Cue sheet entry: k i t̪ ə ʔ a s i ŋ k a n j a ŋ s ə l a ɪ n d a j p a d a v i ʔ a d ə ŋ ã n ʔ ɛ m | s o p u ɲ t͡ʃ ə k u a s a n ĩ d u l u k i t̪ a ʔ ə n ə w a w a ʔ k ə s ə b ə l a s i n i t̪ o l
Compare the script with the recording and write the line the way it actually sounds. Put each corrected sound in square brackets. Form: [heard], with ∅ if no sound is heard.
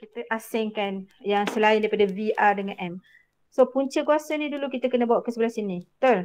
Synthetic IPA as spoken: k i t̪ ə ʔ a s [ɪ] ŋ k a n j a ŋ s ə l a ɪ n d a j p a d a v i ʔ a d ə ŋ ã n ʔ ɛ m | s o p u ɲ t͡ʃ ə k u a s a n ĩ d u l u k i t̪ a [k] ə n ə [b] a w a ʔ k ə s ə b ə l a s i n i t̪ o l